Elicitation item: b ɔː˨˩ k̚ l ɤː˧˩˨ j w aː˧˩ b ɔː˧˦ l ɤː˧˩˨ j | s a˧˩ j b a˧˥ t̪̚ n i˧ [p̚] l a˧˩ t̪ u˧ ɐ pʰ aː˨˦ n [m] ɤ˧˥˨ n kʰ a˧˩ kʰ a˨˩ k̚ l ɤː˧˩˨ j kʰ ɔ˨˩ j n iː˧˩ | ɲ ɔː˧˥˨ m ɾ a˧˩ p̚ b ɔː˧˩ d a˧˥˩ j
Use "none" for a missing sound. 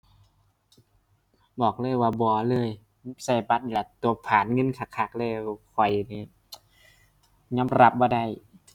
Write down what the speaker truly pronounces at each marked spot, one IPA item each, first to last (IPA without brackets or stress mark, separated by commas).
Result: none, ŋ